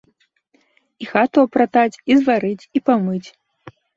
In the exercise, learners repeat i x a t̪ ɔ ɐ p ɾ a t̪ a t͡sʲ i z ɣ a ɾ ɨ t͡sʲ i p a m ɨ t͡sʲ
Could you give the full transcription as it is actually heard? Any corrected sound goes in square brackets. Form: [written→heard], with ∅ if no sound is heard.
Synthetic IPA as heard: i x a t̪ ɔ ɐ p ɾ a t̪ a t͡sʲ i z [ɣ→v] a ɾ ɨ t͡sʲ i p a m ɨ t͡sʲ